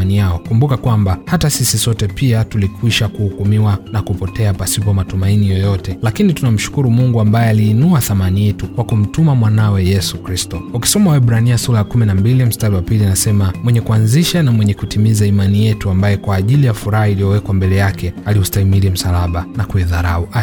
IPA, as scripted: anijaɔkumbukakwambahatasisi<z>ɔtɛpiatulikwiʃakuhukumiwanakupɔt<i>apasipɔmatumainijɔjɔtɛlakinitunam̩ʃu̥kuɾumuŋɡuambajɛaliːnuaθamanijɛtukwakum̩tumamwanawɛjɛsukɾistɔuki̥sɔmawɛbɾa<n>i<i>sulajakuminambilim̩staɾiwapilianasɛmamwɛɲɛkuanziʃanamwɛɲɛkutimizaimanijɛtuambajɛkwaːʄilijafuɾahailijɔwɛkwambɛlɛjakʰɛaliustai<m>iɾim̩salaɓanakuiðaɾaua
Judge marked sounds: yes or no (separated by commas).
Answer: no, no, yes, no, yes